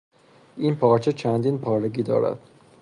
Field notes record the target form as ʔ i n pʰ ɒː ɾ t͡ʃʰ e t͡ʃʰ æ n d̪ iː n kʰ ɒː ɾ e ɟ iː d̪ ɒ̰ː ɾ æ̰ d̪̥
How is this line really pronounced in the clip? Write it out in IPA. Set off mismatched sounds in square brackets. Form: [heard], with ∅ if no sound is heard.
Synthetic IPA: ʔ i n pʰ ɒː ɾ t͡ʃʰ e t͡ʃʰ æ n d̪ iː n [pʰ] ɒː ɾ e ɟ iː d̪ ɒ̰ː ɾ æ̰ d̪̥